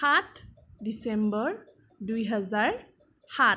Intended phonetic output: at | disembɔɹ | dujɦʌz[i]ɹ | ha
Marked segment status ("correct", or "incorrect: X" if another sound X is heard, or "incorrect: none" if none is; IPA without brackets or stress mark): incorrect: a